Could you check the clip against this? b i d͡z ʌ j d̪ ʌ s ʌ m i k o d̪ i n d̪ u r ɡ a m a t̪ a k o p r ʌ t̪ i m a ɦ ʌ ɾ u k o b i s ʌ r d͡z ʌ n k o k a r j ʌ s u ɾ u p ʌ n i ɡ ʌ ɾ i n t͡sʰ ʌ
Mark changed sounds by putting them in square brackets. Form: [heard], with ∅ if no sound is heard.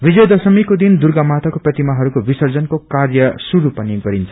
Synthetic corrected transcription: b i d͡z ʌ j d̪ ʌ s ʌ m i k o d̪ i n d̪ u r ɡ a m a t̪ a k o p r ʌ t̪ i m a ɦ ʌ ɾ u k o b i s ʌ r d͡z ʌ n k o k a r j ʌ s u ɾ u p ʌ n i ɡ ʌ ɾ i n t͡sʰ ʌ

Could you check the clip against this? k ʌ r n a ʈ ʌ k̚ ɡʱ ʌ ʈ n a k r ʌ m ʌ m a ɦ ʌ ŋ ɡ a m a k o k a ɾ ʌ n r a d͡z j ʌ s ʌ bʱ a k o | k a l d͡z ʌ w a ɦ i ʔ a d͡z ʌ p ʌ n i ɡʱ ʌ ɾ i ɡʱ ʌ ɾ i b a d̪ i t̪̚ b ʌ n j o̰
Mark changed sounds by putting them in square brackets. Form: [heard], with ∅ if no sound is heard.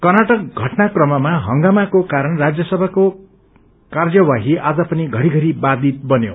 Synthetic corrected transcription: k ʌ r n a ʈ ʌ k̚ ɡʱ ʌ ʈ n a k r ʌ m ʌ m a ɦ ʌ ŋ ɡ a m a k o k a ɾ ʌ n r a d͡z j ʌ s ʌ bʱ a k o | k a [r] d͡z ʌ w a ɦ i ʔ a d͡z ʌ p ʌ n i ɡʱ ʌ ɾ i ɡʱ ʌ ɾ i b a d̪ i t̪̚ b ʌ n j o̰

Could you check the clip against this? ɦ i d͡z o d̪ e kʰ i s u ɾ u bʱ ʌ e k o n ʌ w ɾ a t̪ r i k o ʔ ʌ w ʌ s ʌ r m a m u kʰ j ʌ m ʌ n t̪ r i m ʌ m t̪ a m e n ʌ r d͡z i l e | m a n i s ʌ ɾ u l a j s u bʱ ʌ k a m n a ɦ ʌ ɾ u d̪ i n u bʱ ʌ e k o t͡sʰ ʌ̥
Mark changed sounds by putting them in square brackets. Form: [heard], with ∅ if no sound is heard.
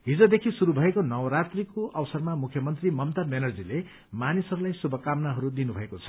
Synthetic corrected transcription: ɦ i d͡z o d̪ e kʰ i s u ɾ u bʱ ʌ e k o n ʌ w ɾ a t̪ r i k o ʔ ʌ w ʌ s ʌ r m a m u kʰ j ʌ m ʌ n t̪ r i m ʌ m t̪ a m e n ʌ r d͡z i l e | m a n i s ʌ ɾ u l a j s u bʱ ʌ k a m n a ɦ ʌ ɾ u d̪ i n u bʱ ʌ e k o t͡sʰ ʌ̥

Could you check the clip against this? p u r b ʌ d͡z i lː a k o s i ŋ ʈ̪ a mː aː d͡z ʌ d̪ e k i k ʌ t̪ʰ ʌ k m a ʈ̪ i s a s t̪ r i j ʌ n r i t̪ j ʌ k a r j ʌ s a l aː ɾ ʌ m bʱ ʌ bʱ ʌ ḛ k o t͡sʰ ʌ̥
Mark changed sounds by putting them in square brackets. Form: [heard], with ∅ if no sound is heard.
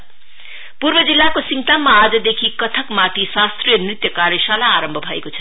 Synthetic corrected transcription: p u r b ʌ d͡z i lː a k o s i ŋ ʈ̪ a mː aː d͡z ʌ d̪ e [kʰ] i k ʌ t̪ʰ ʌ k m a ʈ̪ i s a s t̪ r i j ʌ n r i t̪ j ʌ k a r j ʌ s a l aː ɾ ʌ m bʱ ʌ bʱ ʌ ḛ k o t͡sʰ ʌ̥

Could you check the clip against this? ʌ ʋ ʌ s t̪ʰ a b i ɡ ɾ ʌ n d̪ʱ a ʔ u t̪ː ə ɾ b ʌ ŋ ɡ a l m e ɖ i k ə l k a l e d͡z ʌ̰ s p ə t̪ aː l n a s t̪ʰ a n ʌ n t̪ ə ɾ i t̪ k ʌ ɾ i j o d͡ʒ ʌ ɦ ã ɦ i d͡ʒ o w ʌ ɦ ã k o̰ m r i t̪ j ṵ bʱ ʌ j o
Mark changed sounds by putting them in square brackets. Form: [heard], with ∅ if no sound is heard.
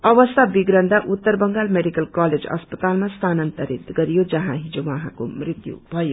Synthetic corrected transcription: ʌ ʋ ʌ s t̪ʰ a b i ɡ ɾ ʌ n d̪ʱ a ʔ u t̪ː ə ɾ b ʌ ŋ ɡ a l m e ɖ i k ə l k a l e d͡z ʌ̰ s p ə t̪ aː l [m] a s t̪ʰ a n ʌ n t̪ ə ɾ i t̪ [ɡ] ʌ ɾ i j o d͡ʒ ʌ ɦ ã ɦ i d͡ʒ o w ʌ ɦ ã k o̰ m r i t̪ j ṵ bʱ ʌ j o

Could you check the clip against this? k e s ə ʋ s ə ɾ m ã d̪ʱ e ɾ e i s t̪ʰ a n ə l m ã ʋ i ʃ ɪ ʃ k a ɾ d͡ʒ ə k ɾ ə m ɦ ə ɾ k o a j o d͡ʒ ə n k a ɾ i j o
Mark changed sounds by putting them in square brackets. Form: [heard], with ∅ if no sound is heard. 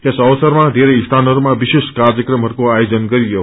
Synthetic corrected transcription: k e s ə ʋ s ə ɾ m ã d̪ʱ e ɾ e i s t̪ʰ a n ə [ɾ] m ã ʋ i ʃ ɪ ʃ k a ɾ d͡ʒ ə k ɾ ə m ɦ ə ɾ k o a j o d͡ʒ ə n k [ə] ɾ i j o

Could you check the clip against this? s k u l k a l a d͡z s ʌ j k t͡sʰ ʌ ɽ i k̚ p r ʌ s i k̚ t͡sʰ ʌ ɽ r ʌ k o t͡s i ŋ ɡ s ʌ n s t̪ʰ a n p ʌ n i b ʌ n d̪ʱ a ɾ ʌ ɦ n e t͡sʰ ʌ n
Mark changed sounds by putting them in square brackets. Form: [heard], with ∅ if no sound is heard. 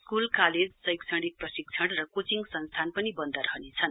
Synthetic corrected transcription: s k u l k a l [e] d͡z s ʌ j k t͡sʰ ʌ ɽ i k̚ p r ʌ s i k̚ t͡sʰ ʌ ɽ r ʌ k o t͡s i ŋ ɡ s ʌ n s t̪ʰ a n p ʌ n i b ʌ n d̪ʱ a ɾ ʌ ɦ n e t͡sʰ ʌ n

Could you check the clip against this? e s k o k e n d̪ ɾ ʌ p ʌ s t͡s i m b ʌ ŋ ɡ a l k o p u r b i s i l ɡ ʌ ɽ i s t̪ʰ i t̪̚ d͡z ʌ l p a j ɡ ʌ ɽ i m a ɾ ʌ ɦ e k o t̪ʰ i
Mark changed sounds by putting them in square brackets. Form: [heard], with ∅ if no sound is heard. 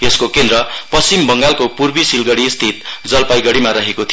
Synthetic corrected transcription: e s k o k e n d̪ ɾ ʌ p ʌ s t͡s i m b ʌ ŋ ɡ a l k o p u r b i s i l ɡ ʌ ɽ i s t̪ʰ i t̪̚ d͡z ʌ l p a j ɡ ʌ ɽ i m a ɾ ʌ ɦ e k o t̪ʰ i

